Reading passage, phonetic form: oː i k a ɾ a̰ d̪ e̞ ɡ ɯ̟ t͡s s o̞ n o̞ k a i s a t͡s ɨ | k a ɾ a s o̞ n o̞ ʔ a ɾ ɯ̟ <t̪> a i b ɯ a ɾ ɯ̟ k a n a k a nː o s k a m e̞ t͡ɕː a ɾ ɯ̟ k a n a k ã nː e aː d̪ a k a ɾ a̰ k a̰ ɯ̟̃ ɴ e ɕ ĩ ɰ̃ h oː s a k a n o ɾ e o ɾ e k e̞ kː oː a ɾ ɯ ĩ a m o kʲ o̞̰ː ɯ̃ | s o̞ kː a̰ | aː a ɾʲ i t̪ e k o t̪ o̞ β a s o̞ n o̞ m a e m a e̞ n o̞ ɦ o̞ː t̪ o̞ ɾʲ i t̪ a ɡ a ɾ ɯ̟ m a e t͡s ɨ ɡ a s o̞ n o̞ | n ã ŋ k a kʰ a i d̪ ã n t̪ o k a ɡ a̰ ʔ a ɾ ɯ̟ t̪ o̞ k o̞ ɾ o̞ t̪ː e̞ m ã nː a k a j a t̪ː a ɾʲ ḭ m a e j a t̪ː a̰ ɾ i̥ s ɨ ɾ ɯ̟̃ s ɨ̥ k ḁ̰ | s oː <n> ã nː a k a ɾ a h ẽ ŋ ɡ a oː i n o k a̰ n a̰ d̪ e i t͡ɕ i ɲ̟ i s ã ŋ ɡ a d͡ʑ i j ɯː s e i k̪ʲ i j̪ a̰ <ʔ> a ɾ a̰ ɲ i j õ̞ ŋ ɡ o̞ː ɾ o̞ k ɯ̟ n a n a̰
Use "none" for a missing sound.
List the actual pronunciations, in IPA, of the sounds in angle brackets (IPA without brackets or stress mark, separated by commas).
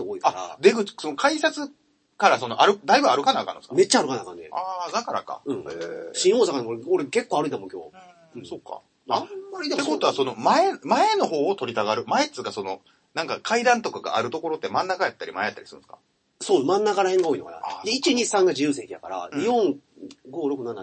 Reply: d̪, m, k